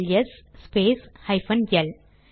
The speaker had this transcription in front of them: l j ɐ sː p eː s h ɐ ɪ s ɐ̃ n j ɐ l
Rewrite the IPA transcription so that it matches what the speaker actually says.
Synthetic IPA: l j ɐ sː p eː s h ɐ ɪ f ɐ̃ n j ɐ l